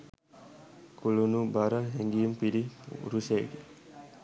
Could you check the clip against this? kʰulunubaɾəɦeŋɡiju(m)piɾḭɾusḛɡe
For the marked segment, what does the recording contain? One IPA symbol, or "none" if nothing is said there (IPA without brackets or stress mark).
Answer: m